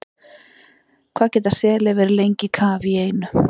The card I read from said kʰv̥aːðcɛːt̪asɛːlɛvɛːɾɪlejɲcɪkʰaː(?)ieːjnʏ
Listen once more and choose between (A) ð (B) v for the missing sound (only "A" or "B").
B